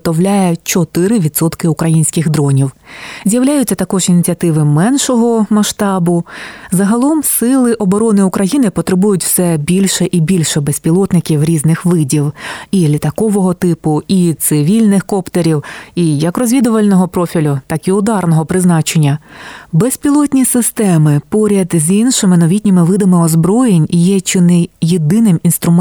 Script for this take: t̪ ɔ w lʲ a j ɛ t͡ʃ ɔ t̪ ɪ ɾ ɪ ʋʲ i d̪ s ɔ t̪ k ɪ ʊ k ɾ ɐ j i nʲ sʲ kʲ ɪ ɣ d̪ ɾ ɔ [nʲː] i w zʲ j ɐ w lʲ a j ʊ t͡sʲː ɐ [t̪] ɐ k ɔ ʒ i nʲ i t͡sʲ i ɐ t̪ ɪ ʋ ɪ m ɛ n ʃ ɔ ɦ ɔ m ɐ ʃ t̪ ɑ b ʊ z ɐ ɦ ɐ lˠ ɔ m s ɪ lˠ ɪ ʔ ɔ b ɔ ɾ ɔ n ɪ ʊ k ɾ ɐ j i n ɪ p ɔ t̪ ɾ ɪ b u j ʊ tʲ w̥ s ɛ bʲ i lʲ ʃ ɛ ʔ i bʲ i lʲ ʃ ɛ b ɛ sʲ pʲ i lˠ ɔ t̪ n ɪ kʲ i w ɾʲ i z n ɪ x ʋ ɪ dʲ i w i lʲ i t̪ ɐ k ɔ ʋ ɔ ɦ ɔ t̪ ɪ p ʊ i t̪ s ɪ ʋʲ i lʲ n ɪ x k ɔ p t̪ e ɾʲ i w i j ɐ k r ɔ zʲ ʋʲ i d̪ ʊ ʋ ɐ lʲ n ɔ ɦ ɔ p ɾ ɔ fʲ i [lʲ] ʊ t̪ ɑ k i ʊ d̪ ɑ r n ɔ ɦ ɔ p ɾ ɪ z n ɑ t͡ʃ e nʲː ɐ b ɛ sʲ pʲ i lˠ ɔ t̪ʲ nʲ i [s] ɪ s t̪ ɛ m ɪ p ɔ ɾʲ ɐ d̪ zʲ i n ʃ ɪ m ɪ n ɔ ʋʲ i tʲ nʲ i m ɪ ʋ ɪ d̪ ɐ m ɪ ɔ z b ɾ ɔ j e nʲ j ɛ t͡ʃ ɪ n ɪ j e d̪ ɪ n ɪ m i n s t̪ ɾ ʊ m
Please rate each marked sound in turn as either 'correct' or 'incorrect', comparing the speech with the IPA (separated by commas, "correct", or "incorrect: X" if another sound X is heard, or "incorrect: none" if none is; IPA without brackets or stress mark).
incorrect: nʲ, correct, correct, correct